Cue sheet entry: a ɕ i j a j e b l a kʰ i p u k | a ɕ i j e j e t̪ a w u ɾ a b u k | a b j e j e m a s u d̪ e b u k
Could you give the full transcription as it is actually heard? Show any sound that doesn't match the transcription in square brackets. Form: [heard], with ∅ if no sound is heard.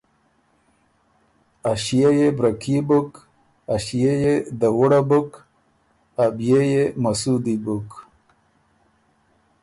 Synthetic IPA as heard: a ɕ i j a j e b [ɾ] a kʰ i [b] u k | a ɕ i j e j e [d̪] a w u [ɽ] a b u k | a b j e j e m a s u d̪ [i] b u k